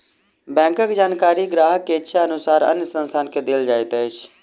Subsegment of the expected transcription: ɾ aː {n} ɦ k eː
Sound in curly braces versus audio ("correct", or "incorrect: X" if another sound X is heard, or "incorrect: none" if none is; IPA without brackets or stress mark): incorrect: none